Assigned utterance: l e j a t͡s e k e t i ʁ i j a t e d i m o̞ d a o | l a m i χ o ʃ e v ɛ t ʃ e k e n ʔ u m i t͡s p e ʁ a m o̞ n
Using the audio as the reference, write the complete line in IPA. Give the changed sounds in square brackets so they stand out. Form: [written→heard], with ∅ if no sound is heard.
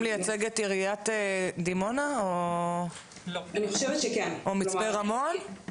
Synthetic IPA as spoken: l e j a t͡s e [k→ɡ] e t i ʁ i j a t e d i m o̞ [d→n] a o | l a [m→n] i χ o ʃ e v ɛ t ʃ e k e n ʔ [u→o] m i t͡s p e ʁ a m o̞ n